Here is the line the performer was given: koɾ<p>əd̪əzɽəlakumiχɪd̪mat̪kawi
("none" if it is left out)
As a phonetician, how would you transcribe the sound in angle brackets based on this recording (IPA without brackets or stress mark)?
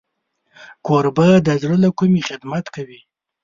b